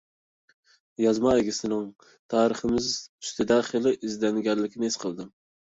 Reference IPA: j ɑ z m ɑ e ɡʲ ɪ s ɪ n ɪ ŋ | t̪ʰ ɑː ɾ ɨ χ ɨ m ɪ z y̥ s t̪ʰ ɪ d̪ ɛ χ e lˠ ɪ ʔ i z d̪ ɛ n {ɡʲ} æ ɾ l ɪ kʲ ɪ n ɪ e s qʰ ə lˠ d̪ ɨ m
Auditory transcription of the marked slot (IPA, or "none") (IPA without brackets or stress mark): ɡʲ